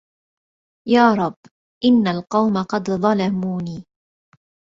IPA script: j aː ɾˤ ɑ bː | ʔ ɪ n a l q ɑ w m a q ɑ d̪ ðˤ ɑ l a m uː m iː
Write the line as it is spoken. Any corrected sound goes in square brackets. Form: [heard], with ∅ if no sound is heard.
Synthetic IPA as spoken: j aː ɾˤ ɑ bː | ʔ ɪ [nː] a l q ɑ w m a q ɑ d̪ ðˤ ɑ l a m uː [n] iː